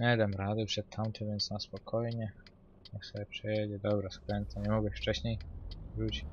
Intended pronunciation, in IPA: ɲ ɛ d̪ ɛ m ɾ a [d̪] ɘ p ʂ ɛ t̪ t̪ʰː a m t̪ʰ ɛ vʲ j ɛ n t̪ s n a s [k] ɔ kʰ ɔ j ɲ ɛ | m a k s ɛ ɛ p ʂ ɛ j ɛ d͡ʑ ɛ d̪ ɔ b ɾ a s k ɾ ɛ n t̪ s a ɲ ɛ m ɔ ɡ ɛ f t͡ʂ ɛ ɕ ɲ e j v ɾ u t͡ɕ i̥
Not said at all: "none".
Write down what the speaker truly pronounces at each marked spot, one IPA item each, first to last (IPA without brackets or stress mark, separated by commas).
d̪, p